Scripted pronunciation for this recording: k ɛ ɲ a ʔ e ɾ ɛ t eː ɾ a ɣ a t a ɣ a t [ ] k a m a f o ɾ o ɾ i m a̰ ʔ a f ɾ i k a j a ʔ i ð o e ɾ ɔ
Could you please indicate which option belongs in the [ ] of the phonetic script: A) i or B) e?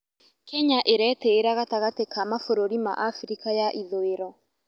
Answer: B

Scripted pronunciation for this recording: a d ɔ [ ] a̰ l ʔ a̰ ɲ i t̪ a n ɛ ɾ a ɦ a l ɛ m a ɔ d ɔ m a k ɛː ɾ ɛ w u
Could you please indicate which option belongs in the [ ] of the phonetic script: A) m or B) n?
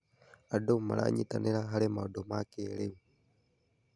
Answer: A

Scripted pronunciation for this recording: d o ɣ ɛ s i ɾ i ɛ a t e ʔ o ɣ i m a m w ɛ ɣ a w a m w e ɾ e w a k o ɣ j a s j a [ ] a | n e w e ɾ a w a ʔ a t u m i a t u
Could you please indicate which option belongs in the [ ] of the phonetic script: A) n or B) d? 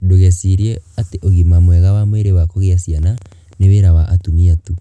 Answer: A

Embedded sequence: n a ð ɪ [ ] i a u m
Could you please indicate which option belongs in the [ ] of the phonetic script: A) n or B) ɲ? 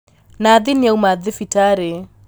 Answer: A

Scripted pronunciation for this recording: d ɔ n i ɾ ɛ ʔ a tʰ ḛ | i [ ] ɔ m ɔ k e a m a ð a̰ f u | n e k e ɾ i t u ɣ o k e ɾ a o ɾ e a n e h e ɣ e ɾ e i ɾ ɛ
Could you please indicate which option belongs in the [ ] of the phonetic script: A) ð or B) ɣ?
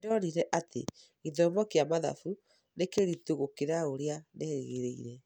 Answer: A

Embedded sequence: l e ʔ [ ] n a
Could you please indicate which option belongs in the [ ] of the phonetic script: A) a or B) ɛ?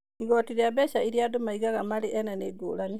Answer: B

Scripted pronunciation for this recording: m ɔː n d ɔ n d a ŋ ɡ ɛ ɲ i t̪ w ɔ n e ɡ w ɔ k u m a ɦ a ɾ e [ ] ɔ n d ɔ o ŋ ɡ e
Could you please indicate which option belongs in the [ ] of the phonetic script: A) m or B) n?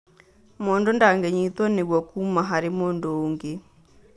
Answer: A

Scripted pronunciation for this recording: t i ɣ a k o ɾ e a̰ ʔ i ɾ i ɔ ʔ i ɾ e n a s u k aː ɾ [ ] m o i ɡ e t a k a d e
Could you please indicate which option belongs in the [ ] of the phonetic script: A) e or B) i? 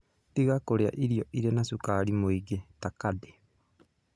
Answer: B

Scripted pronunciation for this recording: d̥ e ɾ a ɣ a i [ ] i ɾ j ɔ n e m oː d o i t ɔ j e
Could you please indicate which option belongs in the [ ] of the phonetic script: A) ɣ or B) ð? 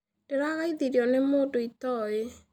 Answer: B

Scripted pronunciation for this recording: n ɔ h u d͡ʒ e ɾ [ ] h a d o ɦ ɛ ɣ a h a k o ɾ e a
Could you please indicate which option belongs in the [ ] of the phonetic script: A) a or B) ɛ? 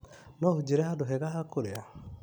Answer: B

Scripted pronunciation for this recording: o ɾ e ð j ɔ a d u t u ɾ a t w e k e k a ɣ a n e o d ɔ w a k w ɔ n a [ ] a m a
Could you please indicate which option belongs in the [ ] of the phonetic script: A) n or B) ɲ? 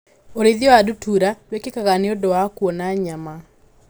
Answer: B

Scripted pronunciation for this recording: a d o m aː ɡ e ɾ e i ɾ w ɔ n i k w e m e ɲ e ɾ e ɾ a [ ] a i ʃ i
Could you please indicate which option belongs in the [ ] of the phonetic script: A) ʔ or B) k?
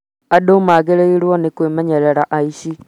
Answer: A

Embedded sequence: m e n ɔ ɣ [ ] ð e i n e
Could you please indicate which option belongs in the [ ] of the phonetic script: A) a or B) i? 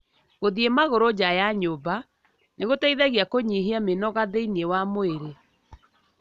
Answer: A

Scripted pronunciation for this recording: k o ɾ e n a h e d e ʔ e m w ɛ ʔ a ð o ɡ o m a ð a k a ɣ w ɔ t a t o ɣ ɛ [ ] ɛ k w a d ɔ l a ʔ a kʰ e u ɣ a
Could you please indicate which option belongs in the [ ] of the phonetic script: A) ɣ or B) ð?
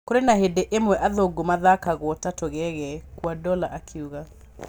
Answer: A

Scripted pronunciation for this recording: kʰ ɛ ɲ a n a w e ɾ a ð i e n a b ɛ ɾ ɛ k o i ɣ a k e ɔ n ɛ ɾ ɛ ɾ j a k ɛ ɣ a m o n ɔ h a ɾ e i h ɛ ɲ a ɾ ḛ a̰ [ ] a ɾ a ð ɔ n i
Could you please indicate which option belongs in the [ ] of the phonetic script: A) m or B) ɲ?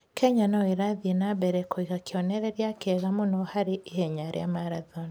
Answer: A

